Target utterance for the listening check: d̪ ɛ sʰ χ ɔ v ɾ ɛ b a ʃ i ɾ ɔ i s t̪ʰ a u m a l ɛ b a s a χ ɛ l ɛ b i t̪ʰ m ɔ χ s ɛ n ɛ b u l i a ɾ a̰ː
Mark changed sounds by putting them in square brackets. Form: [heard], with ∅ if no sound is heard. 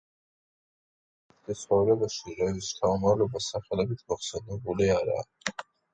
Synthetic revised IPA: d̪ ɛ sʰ χ ɔ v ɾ ɛ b a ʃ i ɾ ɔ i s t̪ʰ a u m a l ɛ b a s a χ ɛ l ɛ b i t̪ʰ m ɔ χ s ɛ n ɛ b u l i a ɾ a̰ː